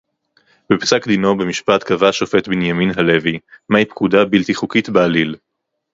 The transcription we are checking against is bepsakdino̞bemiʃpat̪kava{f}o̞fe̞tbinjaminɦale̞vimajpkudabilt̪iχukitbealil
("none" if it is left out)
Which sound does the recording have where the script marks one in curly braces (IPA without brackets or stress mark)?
ʃ